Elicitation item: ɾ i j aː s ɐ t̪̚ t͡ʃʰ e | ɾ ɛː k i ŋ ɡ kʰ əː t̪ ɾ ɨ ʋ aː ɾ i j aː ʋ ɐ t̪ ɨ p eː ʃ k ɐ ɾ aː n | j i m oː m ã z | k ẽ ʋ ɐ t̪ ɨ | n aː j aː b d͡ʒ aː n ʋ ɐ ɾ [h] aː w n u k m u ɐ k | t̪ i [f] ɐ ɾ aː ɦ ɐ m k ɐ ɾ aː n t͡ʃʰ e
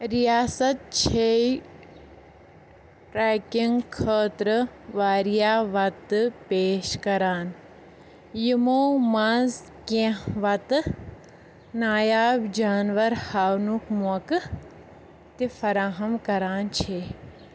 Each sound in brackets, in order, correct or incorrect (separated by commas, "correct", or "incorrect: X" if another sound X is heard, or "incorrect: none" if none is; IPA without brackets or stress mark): correct, correct